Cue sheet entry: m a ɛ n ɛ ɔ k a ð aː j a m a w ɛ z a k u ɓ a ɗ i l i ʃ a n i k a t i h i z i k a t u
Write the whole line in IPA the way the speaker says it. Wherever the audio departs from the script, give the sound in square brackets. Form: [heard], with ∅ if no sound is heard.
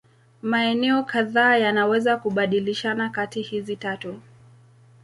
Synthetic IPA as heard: m a ɛ n ɛ ɔ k a ð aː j a [n] a w ɛ z a k u ɓ a ɗ i l i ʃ a n [a] k a t i h i z i [t] a t u